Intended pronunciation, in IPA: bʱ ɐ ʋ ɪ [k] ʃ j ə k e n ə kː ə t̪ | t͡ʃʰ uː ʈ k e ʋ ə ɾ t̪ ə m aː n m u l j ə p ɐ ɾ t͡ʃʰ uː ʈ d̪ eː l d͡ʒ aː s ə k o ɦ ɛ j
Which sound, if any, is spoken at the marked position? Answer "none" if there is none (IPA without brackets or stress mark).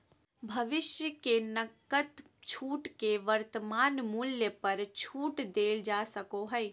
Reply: none